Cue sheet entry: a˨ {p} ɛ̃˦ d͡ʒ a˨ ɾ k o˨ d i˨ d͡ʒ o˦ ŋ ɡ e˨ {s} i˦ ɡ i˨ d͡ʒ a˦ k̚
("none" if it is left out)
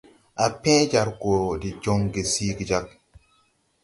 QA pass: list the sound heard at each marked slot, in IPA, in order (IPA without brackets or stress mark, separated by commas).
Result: p, s